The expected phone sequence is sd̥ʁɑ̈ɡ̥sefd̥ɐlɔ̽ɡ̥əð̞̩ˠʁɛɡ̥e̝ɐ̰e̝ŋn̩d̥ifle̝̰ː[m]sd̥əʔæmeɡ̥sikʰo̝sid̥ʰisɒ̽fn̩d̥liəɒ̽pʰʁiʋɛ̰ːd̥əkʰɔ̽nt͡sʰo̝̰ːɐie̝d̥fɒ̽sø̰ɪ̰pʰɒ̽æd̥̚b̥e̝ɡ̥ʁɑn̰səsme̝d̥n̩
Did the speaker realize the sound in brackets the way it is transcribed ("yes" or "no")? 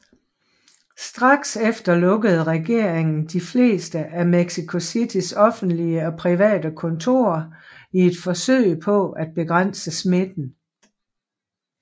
no